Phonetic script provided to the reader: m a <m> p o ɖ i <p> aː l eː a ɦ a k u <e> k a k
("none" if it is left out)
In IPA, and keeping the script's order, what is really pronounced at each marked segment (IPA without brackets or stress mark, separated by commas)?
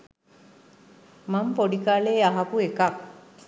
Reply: m, k, e